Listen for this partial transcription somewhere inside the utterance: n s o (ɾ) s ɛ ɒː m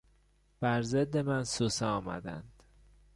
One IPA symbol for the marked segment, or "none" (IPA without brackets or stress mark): none